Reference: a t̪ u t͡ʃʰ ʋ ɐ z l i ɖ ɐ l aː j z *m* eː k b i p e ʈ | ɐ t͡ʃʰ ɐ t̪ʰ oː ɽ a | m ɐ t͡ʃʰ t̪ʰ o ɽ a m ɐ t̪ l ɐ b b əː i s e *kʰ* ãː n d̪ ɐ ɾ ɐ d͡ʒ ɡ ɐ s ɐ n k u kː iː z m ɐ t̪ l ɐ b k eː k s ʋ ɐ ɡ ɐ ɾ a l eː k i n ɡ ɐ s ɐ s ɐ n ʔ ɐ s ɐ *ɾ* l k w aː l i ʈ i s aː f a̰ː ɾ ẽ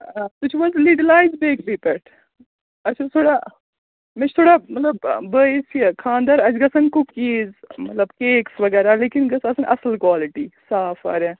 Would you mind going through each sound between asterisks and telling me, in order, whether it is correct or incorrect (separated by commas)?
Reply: incorrect, correct, incorrect